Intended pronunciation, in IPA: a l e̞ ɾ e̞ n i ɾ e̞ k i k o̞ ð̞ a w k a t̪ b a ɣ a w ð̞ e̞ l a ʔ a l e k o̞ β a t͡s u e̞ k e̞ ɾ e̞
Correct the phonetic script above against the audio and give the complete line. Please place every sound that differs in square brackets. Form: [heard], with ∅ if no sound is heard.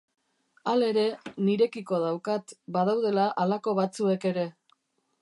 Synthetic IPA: a l e̞ ɾ e̞ n i ɾ e̞ k i k o̞ ð̞ a w k a t̪ b a [ð] a w ð̞ e̞ l a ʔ a l [a] k o̞ β a t͡s u e̞ k e̞ ɾ e̞